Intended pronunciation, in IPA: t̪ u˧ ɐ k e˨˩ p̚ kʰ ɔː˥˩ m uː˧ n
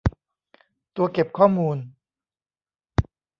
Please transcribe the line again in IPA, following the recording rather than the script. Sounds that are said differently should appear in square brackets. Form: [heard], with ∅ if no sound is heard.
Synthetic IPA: t̪ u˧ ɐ k e˨˩ p̚ kʰ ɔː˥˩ m uː˧ n